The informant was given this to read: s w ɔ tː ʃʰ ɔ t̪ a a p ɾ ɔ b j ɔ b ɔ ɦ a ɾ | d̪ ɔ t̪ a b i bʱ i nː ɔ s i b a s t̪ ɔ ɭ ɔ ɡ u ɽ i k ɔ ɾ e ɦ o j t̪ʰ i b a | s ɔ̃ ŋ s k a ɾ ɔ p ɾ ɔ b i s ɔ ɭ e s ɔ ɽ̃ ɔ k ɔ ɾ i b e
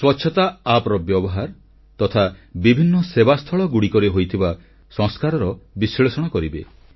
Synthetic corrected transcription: s w ɔ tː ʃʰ ɔ t̪ a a p ɾ ɔ b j ɔ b ɔ ɦ a ɾ | t̪ ɔ t̪ʰ a b i bʱ i nː ɔ s e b a s t̪ʰ ɔ ɭ ɔ ɡ u ɽ i k ɔ ɾ e ɦ o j t̪ʰ i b a | s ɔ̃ ŋ s k a ɾ ɔ ɾ ɔ b i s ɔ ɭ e s ɔ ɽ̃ ɔ k ɔ ɾ i b e